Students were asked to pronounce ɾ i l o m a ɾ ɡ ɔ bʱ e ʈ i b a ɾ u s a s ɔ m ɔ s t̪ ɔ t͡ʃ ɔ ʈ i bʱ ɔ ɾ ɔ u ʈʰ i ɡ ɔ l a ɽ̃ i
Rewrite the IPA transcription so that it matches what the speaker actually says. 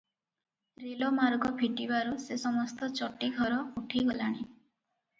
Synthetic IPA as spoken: ɾ i l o m a ɾ ɡ ɔ bʱ i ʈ i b a ɾ u s e s ɔ m ɔ s t̪ ɔ t͡ʃ ɔ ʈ i ɡʱ ɔ ɾ ɔ u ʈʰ i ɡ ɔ l a ɽ̃ i

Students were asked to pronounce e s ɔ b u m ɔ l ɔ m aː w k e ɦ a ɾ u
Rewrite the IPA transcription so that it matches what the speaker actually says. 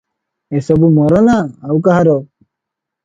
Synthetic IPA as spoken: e s ɔ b u m ɔ ɾ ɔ n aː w k a ɦ a ɾ ɔ

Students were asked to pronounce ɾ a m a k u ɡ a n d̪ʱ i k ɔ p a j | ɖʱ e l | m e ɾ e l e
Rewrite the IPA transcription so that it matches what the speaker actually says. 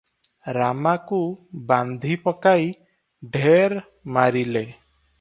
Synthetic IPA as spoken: ɾ a m a k u b a n d̪ʱ i p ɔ k a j | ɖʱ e ɾ | m a ɾ i l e

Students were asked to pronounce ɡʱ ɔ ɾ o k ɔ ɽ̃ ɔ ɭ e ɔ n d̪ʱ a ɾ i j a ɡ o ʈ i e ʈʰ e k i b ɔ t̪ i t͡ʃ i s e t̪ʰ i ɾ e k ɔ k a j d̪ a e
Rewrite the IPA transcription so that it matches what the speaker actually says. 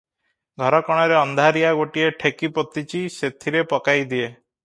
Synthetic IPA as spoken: ɡʱ ɔ ɾ ɔ k ɔ ɽ̃ ɔ ɾ e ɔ n d̪ʱ a ɾ i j a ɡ o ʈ i e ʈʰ e k i p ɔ t̪ i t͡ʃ i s e t̪ʰ i ɾ e p ɔ k a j d̪ i e

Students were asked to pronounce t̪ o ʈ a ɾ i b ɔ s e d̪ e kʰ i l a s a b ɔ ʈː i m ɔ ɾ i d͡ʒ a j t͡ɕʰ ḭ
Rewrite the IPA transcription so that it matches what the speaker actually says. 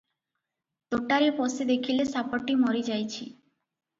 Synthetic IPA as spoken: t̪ o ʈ a ɾ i p ɔ s e d̪ e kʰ i l e s a p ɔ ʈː i m ɔ ɾ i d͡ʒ a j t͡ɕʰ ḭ

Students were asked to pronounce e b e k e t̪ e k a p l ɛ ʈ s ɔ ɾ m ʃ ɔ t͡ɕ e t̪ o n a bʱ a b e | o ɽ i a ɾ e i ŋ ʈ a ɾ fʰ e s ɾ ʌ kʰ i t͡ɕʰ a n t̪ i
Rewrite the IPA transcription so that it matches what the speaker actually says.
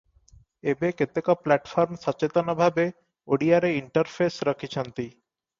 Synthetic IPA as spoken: e b e k e t̪ e k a p l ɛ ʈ f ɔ ɾ m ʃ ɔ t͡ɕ e t̪ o n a bʱ a b e | o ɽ i a ɾ e i ɳ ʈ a ɾ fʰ e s ɾ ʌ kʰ i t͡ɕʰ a n t̪ i

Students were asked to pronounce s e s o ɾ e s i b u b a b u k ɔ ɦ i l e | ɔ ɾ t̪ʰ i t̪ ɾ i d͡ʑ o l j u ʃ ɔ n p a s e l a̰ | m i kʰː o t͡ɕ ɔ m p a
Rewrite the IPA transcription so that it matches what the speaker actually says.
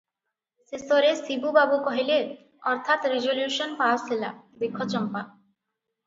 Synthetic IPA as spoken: s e s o ɾ e s i b u b a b u k ɔ ɦ i l e | ɔ ɾ t̪ʰ a t̪ ɾ i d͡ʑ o l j u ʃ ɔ n p a s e l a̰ | b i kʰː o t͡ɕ ɔ m p a

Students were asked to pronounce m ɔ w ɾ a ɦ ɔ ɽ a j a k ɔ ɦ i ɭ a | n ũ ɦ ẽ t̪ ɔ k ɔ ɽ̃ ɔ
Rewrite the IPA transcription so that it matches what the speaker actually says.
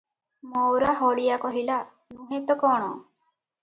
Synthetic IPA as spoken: m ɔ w ɾ a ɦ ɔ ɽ i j a k ɔ ɦ i l a | n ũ ɦ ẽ t̪ ɔ k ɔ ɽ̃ ɔ

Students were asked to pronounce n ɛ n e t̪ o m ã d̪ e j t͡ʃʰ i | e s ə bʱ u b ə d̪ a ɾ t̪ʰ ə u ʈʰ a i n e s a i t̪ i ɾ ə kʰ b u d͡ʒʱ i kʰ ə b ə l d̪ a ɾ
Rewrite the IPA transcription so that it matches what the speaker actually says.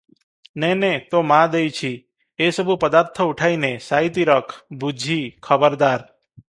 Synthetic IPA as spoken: n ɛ n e t̪ o m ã d̪ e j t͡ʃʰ i | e s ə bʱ u p ə d̪ a ɾ t̪ʰ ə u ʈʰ a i n e s a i t̪ i ɾ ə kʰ b u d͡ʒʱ i kʰ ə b ə ɾ d̪ a ɾ

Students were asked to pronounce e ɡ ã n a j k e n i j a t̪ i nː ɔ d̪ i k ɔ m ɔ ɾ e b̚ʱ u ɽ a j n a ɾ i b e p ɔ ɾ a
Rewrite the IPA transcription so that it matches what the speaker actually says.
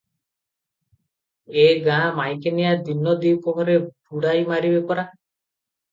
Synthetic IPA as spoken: e ɡ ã m a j k e n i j a d̪ i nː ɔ d̪ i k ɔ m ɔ ɾ e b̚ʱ u ɽ a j m a ɾ i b e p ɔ ɾ a

